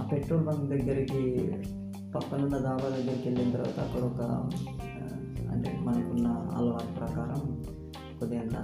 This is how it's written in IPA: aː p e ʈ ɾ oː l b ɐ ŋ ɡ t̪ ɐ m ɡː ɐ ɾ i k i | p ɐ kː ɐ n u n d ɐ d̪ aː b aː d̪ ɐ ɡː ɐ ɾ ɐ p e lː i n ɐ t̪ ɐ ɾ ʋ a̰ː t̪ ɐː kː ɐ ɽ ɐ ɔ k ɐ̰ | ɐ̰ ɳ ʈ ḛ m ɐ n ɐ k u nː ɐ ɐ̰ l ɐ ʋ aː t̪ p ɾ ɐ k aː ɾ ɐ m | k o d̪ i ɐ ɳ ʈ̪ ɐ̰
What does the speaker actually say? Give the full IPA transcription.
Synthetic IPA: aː p e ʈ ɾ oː l b ɐ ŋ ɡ d̪ ɐ ɡː ɐ ɾ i k i | p ɐ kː ɐ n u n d ɐ d̪ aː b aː d̪ ɐ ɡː ɐ ɾ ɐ k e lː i n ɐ t̪ ɐ ɾ ʋ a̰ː t̪ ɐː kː ɐ ɽ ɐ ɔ k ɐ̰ | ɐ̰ ɳ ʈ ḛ m ɐ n ɐ k u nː ɐ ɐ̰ l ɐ ʋ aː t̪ p ɾ ɐ k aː ɾ ɐ m | k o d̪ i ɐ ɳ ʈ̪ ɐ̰